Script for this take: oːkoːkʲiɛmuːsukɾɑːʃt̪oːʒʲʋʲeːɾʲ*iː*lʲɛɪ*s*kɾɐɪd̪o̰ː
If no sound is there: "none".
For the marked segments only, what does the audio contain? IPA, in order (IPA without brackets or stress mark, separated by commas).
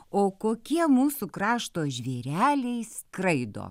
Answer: æː, s